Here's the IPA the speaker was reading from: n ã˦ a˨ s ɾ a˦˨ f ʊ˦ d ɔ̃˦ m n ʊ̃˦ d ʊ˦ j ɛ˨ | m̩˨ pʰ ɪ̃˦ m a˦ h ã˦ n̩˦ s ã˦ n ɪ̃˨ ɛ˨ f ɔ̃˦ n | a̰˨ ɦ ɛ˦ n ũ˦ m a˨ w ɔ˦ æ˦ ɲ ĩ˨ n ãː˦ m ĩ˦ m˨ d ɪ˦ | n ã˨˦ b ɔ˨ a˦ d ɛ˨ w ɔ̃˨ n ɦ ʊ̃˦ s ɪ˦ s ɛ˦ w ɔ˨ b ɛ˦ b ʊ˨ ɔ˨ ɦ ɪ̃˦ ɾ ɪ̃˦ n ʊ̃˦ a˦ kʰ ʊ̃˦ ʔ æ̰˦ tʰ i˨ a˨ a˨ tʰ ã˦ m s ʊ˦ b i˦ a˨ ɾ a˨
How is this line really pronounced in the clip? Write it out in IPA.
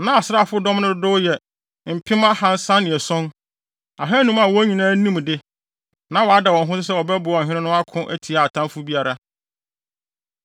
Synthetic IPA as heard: n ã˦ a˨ s ɾ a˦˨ f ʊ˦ d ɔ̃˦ m n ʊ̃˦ d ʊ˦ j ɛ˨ | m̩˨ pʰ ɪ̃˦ m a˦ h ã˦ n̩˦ s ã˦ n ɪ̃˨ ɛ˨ s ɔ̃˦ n | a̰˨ ɦ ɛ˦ n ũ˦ m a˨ w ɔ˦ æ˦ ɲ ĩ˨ n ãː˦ n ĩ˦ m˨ d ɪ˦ | n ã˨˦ w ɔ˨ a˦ d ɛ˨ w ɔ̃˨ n ɦ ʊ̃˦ s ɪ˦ s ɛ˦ w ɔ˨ b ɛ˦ b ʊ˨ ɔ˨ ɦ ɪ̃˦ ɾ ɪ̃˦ n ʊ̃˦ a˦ kʰ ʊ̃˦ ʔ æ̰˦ tʰ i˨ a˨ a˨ tʰ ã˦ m f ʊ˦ b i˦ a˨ ɾ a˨